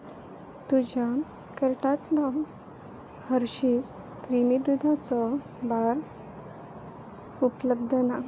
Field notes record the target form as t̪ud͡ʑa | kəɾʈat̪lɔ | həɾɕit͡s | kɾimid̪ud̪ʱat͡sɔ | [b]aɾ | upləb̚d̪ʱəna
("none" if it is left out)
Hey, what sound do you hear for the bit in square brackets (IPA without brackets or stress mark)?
b